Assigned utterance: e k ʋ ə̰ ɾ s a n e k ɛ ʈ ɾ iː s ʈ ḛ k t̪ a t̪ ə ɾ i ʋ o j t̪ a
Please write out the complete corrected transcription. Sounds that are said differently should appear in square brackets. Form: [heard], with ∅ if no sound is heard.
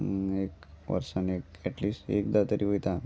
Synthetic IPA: e k ʋ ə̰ ɾ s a n e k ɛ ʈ [l] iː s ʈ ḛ k [d̪] a t̪ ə ɾ i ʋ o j t̪ a